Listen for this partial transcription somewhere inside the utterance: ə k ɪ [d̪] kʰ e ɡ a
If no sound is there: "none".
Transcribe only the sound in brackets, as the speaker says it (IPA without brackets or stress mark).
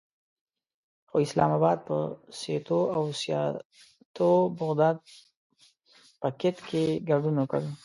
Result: t̪